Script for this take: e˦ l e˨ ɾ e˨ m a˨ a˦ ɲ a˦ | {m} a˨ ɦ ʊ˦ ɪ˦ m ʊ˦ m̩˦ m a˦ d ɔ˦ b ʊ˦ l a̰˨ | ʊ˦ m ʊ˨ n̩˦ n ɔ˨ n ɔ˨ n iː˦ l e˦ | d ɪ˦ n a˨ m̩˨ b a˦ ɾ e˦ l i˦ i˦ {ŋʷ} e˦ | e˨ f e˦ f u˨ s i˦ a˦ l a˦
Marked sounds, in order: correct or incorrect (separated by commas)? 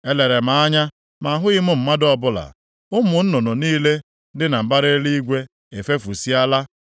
correct, incorrect